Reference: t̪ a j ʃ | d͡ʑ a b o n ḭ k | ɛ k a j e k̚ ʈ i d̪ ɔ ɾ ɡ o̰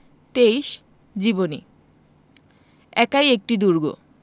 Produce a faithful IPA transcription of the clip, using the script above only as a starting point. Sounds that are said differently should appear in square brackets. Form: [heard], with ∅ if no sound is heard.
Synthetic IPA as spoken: t̪ [e] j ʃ | d͡ʑ [i] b o n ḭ [∅] | ɛ k a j e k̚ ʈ i d̪ [u] ɾ ɡ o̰